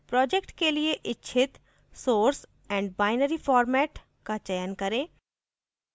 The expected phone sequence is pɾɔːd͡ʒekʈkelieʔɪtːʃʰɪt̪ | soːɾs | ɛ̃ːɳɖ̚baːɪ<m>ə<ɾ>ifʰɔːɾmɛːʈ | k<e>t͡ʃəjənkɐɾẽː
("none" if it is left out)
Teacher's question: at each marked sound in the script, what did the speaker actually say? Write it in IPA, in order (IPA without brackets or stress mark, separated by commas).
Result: n, ɾ, a